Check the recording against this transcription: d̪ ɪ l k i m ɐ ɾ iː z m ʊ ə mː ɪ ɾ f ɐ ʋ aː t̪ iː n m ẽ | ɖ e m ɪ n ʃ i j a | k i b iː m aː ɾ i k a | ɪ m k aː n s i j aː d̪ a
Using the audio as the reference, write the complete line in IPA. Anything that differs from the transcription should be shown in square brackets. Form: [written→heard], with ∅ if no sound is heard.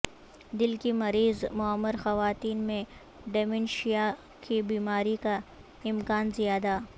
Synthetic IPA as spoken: d̪ ɪ l k i m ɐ ɾ iː z m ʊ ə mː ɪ ɾ [f→x] ɐ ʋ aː t̪ iː n m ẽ | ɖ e m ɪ n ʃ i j a | k i b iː m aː ɾ i k a | ɪ m k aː n [s→z] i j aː d̪ a